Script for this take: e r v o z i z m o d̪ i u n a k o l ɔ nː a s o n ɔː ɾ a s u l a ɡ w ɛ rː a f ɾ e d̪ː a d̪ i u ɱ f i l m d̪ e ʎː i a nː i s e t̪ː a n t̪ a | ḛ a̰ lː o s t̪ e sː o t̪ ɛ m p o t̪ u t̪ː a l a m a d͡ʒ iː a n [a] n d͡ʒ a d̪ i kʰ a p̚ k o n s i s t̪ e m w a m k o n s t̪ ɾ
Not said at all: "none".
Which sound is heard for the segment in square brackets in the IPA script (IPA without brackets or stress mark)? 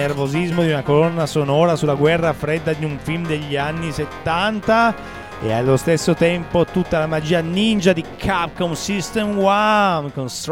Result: i